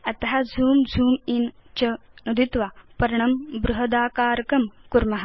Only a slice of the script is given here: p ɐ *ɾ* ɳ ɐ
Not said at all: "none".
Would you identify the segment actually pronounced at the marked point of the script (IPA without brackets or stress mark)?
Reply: ɾ